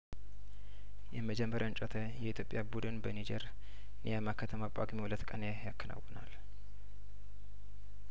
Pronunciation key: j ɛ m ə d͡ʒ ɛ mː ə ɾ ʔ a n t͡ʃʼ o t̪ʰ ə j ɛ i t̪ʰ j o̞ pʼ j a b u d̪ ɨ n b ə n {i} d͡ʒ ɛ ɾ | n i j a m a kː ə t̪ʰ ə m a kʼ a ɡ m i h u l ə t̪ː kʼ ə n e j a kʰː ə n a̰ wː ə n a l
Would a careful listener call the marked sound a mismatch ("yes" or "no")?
no